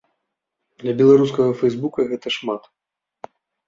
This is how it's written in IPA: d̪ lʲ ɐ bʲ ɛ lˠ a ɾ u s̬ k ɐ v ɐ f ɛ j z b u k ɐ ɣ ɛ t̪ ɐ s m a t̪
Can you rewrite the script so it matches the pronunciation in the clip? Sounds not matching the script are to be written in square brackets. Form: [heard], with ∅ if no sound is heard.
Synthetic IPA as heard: d̪ lʲ ɐ bʲ ɛ lˠ a ɾ u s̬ k ɐ [ɣ] ɐ f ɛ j z b u k ɐ ɣ ɛ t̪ ɐ [ʂ] m a t̪

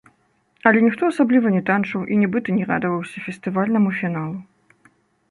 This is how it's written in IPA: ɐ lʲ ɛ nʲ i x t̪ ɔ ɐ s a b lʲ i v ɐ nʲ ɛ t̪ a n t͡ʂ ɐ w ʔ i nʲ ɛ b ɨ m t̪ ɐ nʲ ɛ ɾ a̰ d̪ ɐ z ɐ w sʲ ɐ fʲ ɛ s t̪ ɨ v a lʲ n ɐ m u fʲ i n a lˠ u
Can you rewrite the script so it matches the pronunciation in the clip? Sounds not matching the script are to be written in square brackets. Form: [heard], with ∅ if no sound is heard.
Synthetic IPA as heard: ɐ lʲ ɛ nʲ i x t̪ ɔ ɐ s a b lʲ i v ɐ nʲ ɛ t̪ a n t͡ʂ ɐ w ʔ i nʲ ɛ b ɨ [∅] t̪ ɐ nʲ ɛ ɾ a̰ d̪ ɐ [v] ɐ w sʲ ɐ fʲ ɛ s t̪ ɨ v a lʲ n ɐ m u fʲ i n a lˠ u

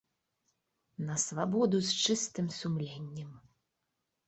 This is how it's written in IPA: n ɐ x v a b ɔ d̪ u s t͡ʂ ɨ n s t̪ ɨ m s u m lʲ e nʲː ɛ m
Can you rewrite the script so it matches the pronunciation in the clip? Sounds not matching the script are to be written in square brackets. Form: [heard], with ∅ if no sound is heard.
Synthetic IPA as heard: n ɐ [s] v a b ɔ d̪ u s t͡ʂ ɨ [∅] s t̪ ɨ m s u m lʲ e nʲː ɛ m

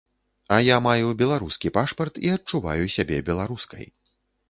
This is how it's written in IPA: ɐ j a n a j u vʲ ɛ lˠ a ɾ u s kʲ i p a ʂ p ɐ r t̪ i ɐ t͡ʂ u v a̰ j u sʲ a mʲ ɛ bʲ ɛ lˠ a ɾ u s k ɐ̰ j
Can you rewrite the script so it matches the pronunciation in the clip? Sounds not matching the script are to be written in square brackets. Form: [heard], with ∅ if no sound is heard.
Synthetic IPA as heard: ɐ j a [m] a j u [bʲ] ɛ lˠ a ɾ u s kʲ i p a ʂ p ɐ r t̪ i ɐ t͡ʂ u v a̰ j u sʲ a [bʲ] ɛ bʲ ɛ lˠ a ɾ u s k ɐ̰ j

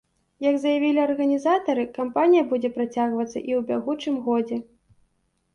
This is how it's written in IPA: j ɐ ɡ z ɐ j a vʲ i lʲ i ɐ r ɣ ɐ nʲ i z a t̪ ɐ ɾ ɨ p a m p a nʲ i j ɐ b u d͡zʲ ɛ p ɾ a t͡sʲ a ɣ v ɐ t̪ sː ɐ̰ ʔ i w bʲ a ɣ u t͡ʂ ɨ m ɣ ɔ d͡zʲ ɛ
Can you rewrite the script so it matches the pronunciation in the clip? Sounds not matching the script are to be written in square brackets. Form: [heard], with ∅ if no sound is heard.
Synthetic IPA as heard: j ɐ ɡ z ɐ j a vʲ i lʲ i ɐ r ɣ ɐ nʲ i z a t̪ ɐ ɾ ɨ [k] a m p a nʲ i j ɐ b u d͡zʲ ɛ p ɾ a t͡sʲ a ɣ v ɐ t̪ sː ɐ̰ ʔ i w bʲ a ɣ u t͡ʂ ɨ m ɣ ɔ d͡zʲ ɛ

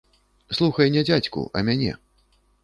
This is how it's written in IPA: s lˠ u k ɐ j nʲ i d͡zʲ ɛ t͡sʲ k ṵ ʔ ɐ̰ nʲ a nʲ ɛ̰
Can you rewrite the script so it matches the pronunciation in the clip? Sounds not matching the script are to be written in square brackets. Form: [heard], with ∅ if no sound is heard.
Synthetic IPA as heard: s lˠ u [x] ɐ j nʲ [ɛ] d͡zʲ [a] t͡sʲ k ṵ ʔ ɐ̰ [mʲ] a nʲ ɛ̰

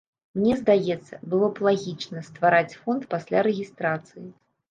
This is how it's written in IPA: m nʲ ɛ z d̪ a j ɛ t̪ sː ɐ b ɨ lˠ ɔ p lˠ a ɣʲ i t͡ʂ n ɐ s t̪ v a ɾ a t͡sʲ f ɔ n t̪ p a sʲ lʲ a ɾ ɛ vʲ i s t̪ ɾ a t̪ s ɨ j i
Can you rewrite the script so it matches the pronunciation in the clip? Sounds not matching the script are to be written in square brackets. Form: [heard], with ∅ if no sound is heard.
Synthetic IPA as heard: m nʲ ɛ z d̪ a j ɛ t̪ sː ɐ b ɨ lˠ ɔ p lˠ a ɣʲ i t͡ʂ n ɐ s t̪ v a ɾ a t͡sʲ f ɔ n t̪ p a sʲ lʲ a ɾ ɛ [ɣʲ] i s t̪ ɾ a t̪ s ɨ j i

